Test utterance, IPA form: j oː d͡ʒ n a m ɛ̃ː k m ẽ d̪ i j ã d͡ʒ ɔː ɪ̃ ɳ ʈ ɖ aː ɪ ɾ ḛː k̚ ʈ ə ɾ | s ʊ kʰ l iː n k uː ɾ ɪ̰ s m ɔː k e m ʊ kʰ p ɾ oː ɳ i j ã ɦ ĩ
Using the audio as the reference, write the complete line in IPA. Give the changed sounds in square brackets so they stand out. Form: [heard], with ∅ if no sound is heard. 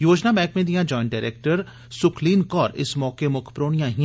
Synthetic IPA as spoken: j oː d͡ʒ n a m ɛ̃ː k m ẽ d̪ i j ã d͡ʒ ɔː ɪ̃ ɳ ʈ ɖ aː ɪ ɾ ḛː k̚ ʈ ə ɾ | s ʊ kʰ l iː n k [ɔː] ɾ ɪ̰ s m ɔː k e m ʊ kʰ p ɾ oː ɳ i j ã ɦ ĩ